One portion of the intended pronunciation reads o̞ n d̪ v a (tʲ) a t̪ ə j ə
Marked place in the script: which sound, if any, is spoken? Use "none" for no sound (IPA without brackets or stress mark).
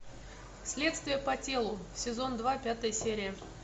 pʲ